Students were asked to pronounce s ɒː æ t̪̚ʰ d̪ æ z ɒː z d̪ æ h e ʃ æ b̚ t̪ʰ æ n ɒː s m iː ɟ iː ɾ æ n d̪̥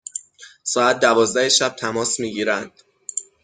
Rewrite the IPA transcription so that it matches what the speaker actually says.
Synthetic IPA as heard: s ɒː æ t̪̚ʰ d̪ æ v ɒː z d̪ æ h e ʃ æ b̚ t̪ʰ æ m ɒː s m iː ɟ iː ɾ æ n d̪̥